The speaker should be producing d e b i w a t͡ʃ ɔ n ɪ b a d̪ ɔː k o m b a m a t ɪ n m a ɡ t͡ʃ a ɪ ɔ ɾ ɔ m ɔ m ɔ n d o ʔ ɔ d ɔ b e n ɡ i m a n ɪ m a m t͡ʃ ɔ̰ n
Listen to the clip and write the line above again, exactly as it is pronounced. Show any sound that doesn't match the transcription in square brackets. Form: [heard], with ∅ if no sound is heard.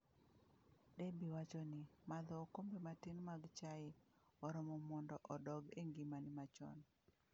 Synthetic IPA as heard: d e b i w a t͡ʃ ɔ n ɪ [m] a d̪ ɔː k o m b [e] m a t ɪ n m a ɡ t͡ʃ a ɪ ɔ ɾ ɔ m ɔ m ɔ n d [ɔ] ʔ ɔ d ɔ [ɡ] e [ŋ] ɡ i m a n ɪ m a [∅] t͡ʃ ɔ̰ n